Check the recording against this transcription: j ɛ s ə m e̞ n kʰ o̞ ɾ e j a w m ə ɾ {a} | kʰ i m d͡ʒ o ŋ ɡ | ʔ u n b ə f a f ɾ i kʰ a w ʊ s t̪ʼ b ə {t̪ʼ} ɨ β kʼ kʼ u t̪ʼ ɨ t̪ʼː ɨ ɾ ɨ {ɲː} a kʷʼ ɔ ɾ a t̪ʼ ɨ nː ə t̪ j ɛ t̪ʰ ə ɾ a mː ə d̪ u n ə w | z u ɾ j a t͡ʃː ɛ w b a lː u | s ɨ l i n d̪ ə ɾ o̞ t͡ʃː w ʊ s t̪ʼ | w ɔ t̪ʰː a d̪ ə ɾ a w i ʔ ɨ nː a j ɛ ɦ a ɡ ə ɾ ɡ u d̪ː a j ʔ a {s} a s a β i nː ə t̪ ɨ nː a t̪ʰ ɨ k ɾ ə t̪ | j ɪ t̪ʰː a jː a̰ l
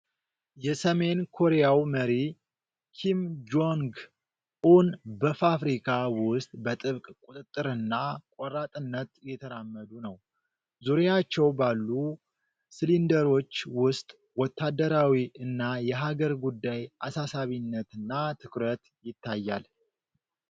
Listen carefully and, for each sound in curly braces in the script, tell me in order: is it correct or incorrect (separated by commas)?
incorrect, correct, incorrect, correct